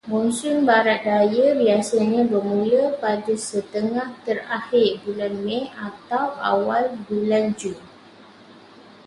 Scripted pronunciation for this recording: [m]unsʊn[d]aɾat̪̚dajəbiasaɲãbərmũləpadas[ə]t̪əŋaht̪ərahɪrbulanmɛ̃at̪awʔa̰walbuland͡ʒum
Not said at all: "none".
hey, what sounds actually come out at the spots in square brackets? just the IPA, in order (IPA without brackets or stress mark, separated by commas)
m, b, ə